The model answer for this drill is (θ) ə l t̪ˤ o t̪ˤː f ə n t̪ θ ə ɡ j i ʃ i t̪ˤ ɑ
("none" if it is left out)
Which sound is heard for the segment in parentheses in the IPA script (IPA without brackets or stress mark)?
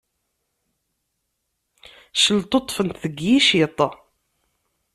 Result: ʃ